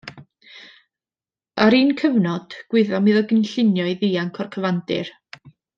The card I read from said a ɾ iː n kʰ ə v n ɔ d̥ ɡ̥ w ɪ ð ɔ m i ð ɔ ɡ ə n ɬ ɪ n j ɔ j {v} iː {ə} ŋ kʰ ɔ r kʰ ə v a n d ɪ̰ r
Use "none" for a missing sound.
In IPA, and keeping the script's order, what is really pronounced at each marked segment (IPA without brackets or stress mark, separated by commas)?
ð, a